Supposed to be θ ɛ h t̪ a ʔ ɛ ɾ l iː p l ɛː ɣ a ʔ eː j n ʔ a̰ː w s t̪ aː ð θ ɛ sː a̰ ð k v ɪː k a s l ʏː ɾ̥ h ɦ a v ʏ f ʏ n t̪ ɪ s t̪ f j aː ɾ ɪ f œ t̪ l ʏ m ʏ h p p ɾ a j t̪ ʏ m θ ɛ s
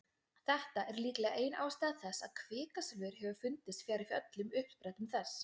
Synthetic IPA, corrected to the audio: θ ɛ h t̪ a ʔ ɛ ɾ l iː k l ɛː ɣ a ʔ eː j n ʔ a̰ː w s t̪ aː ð θ ɛ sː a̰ ð kʰ v ɪː k a s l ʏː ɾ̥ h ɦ ɛ v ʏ f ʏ n t̪ ɪ s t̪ f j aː ɾ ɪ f œ t̪ l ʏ m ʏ h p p ɾ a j t̪ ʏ m θ ɛ s